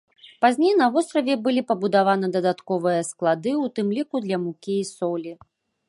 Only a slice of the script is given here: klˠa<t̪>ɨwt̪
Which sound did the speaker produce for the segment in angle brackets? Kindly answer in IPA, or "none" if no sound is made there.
d̪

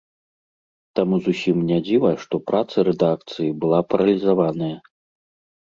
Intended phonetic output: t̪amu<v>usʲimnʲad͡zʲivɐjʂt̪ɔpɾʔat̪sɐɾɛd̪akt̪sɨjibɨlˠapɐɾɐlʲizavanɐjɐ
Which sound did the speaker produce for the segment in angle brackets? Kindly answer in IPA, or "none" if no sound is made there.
z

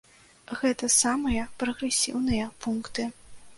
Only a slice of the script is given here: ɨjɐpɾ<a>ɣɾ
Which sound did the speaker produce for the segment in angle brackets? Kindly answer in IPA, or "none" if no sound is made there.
ɐ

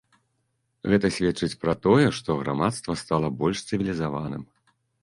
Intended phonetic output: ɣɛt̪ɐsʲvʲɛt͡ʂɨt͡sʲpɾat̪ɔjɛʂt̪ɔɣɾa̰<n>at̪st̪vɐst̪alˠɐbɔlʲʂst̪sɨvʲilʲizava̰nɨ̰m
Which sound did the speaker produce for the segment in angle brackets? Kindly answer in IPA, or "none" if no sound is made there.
m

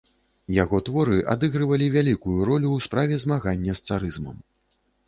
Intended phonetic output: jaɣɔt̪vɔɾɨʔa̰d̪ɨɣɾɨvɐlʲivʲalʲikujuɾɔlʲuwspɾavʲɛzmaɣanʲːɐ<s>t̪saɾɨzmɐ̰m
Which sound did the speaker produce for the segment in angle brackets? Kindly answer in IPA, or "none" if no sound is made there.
s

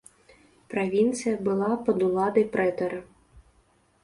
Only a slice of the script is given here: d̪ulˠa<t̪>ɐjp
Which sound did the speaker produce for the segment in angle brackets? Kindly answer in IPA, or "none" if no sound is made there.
d̪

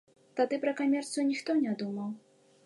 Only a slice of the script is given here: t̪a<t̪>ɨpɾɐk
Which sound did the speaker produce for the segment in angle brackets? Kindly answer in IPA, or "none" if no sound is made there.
d̪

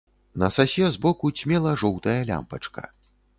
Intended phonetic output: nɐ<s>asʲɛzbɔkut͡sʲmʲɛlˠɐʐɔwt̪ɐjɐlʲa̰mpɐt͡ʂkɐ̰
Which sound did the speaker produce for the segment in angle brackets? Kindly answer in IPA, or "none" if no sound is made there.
s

